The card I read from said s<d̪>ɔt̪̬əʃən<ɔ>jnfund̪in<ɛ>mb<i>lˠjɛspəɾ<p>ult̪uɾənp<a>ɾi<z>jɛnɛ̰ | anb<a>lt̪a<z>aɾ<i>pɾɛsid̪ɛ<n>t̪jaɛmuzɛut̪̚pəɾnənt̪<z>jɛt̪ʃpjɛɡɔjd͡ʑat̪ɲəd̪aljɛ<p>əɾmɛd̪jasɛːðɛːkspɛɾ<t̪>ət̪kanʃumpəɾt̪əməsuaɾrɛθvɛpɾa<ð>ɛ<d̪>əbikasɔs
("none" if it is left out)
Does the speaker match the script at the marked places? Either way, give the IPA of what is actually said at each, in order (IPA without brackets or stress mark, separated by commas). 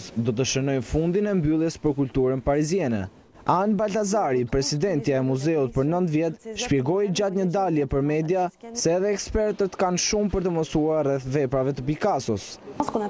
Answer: d̪, ɔ, ɛ, y, k, a, z, a, z, i, n, v, p, t̪, v, t̪